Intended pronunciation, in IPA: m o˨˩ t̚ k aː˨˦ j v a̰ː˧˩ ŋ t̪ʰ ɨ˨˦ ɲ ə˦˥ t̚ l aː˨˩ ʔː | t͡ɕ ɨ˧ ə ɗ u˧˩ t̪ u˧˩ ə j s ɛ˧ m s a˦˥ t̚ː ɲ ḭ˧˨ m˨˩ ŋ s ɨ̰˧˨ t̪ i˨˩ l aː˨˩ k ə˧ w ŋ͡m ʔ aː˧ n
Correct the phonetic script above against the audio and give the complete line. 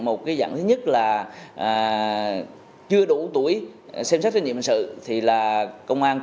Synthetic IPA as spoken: m o˨˩ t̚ k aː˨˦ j z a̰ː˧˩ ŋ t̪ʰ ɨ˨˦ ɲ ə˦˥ t̚ l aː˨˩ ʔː | t͡ɕ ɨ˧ ə ɗ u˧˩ t̪ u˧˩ ə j s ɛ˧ m s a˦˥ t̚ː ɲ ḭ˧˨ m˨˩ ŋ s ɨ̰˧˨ t̪ʰ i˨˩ l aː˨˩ k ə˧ w ŋ͡m ʔ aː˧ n

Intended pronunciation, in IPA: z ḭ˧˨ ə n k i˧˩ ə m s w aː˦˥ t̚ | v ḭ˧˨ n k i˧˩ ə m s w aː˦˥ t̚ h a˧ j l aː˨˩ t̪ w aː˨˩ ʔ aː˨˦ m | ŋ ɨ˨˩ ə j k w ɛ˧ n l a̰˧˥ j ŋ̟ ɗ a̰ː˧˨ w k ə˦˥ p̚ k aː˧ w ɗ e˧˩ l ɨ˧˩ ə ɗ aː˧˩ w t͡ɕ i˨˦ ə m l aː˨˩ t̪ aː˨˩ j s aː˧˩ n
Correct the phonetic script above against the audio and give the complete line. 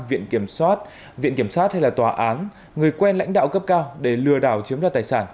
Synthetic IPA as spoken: v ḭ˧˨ ə n k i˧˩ ə m s w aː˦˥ t̚ | v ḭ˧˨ n k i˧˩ ə m s w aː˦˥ t̚ h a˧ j l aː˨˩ t̪ w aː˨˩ ʔ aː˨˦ n | ŋ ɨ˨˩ ə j k w ɛ˧ n l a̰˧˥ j ŋ̟ ɗ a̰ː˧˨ w k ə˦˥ p̚ k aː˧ w ɗ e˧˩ l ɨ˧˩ ə ɗ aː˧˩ w t͡ɕ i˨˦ ə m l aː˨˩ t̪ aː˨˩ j s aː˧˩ n

